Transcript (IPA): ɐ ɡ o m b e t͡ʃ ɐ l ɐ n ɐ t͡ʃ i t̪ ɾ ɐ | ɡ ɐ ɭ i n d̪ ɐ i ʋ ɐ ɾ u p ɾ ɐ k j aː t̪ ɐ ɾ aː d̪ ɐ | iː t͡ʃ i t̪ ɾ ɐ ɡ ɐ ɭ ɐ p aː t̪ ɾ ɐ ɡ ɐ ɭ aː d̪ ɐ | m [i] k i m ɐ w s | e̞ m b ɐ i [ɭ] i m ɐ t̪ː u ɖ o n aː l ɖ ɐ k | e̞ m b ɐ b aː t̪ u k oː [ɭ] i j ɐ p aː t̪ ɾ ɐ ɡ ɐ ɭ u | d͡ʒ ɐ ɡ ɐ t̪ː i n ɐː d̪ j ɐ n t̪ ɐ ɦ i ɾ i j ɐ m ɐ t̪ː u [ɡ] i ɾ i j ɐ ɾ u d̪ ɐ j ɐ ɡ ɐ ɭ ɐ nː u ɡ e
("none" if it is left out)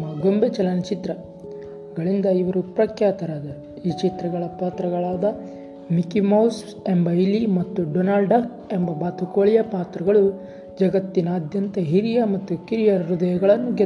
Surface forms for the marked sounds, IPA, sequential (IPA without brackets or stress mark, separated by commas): i, l, ɭ, k